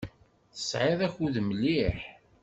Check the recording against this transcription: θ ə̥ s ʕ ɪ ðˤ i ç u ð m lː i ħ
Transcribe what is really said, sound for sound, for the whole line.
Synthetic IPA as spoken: θ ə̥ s ʕ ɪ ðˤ æ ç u ð m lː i ħ